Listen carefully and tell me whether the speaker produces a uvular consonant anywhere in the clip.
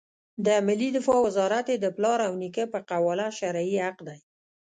yes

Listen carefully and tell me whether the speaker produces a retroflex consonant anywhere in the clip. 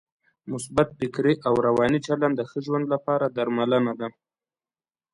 no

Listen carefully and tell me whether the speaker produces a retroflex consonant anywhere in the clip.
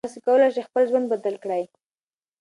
yes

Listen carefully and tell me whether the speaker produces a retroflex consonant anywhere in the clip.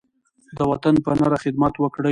yes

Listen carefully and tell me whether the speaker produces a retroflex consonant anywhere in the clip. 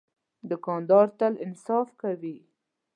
no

